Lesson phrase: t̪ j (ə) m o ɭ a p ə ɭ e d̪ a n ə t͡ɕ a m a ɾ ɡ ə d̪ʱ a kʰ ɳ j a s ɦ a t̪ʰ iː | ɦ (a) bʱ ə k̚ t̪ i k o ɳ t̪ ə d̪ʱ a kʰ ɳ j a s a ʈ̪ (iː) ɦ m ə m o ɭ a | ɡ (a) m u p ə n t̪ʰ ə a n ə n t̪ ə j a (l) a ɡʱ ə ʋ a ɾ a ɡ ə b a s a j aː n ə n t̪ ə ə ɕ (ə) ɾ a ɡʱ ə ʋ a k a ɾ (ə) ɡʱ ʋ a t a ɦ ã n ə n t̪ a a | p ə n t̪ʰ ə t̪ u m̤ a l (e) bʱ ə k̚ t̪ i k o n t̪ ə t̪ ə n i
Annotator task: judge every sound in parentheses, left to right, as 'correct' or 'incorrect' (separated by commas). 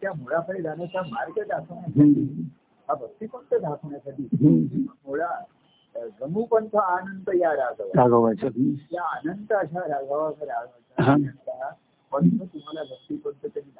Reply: incorrect, correct, correct, incorrect, incorrect, incorrect, incorrect, incorrect